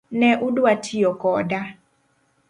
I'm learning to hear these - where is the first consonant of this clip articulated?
tongue tip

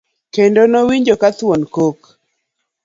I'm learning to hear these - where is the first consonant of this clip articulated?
velum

